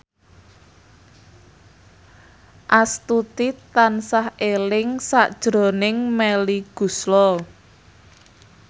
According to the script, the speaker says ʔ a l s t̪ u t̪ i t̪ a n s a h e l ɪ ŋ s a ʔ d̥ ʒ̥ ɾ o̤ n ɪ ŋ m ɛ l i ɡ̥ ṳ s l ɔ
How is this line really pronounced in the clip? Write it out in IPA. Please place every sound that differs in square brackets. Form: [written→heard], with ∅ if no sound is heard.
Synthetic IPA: ʔ a [l→∅] s t̪ u t̪ i t̪ a n s a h e l ɪ ŋ s a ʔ d̥ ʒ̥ ɾ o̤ n ɪ ŋ m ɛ l i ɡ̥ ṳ s l ɔ